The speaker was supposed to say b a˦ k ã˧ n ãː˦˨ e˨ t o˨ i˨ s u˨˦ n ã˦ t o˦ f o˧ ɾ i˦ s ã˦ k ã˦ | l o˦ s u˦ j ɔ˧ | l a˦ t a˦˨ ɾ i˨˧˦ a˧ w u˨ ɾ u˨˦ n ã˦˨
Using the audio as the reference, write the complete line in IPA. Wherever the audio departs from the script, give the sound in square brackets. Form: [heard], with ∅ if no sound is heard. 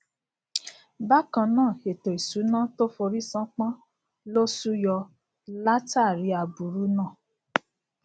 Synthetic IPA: b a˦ k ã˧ n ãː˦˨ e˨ t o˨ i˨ s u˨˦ n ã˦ t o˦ f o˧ ɾ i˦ s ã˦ [k͡p] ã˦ | l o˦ s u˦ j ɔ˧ | l a˦ t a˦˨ ɾ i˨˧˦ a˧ [b] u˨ ɾ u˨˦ n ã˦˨